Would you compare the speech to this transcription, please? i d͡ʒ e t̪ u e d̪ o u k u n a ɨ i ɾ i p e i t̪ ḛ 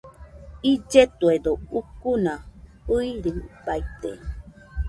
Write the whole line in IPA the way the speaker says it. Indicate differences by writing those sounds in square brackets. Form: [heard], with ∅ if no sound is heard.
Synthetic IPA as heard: i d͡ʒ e t̪ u e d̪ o u k u n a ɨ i ɾ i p [a] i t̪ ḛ